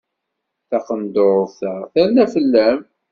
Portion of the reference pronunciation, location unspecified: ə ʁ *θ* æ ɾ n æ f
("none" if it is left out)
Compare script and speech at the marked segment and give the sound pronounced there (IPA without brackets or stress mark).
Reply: θ